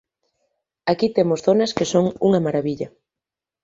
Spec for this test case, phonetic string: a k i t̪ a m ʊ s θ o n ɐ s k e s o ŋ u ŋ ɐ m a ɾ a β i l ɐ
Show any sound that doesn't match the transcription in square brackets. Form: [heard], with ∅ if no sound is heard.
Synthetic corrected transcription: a k i t̪ [e] m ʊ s θ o n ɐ s k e s o ŋ u ŋ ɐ m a ɾ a β i [ʎ] ɐ